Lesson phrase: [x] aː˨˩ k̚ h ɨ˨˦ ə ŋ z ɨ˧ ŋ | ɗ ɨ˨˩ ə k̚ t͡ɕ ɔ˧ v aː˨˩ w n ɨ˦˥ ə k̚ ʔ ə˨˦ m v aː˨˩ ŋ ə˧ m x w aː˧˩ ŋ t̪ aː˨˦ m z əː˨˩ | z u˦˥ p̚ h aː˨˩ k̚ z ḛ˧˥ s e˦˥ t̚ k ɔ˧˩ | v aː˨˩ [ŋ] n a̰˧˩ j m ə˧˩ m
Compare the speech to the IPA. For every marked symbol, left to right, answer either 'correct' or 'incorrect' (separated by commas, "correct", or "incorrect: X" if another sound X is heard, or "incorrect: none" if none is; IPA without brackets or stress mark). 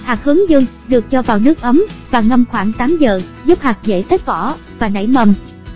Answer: incorrect: h, incorrect: none